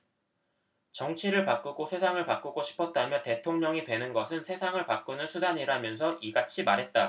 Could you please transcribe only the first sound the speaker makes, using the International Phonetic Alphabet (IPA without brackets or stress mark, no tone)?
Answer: t͡ɕ